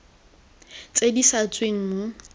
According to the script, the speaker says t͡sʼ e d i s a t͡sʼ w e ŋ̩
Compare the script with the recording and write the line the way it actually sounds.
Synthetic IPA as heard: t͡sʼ e d i s a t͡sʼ w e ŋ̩